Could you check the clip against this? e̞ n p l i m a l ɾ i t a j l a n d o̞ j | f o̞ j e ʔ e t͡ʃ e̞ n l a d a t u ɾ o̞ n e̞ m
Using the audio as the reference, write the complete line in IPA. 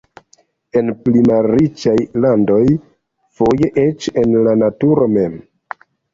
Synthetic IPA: e̞ n p l i m a l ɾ i t͡ʃ a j l a n d o̞ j | f o̞ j e ʔ e t͡ʃ e̞ n l a n a t u ɾ o̞ m e̞ m